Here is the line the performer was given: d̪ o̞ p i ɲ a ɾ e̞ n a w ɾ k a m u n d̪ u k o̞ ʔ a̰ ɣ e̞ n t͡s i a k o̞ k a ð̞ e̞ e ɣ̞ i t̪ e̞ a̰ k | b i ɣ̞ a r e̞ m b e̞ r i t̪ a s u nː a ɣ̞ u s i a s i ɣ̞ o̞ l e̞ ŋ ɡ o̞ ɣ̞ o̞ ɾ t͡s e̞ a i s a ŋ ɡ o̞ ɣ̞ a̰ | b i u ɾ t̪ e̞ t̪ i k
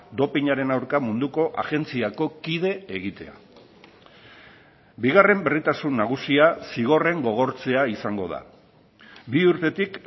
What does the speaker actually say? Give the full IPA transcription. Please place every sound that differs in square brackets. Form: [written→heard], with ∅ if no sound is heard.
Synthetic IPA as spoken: d̪ o̞ p i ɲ a ɾ e̞ n a w ɾ k a m u n d̪ u k o̞ ʔ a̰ ɣ e̞ n t͡s i a k o̞ k [a→i] ð̞ e̞ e ɣ̞ i t̪ e̞ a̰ [k→∅] | b i ɣ̞ a r e̞ m b e̞ r i t̪ a s u nː a ɣ̞ u s i a s i ɣ̞ o̞ [l→r] e̞ ŋ ɡ o̞ ɣ̞ o̞ ɾ t͡s e̞ a i s a ŋ ɡ o̞ [ɣ̞→ð̞] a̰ | b i u ɾ t̪ e̞ t̪ i k